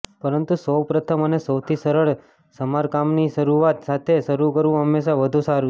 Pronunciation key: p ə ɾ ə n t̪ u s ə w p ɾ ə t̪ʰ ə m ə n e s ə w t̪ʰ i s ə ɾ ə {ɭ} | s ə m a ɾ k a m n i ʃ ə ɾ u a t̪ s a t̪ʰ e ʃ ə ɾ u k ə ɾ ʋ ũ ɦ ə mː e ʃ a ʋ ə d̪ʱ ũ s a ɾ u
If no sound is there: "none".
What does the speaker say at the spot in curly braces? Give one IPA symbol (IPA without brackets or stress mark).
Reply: ɭ